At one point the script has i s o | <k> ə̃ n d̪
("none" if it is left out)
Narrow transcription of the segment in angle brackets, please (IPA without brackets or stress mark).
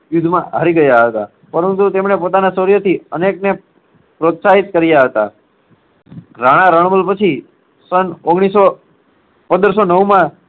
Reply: p